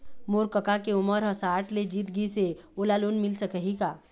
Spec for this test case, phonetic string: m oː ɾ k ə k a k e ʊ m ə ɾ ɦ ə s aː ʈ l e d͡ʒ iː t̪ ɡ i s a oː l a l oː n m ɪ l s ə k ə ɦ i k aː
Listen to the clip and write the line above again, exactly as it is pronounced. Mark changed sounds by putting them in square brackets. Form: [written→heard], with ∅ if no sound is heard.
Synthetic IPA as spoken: m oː ɾ k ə k a k e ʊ m ə ɾ ɦ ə s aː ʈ l e d͡ʒ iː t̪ ɡ i s [a→e] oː l a l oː n m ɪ l s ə k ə ɦ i k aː